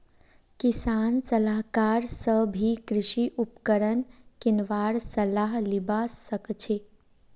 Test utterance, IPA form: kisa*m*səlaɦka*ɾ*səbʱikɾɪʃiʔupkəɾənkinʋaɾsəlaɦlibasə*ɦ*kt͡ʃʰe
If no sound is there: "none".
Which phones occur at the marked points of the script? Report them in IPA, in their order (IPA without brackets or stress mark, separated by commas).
n, ɾ, none